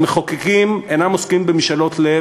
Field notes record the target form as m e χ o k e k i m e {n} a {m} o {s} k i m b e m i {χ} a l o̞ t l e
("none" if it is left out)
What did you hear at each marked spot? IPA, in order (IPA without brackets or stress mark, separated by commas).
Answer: n, m, s, ʃ